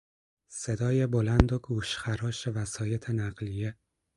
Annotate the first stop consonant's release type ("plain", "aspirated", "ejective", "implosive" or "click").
plain